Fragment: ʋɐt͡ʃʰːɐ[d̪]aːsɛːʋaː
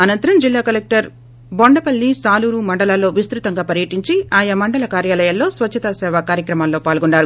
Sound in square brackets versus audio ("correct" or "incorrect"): incorrect